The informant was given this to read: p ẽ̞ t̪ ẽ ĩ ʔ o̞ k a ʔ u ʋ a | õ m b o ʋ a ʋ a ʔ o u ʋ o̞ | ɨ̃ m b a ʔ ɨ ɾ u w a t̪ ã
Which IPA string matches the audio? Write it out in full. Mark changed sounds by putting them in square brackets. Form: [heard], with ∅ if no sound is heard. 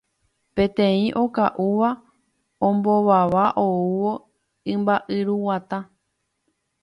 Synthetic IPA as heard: p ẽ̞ t̪ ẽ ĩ ʔ o̞ k a ʔ u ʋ a | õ m b o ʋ a ʋ a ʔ o u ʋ o̞ | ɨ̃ m b a ʔ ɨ ɾ u w a t̪ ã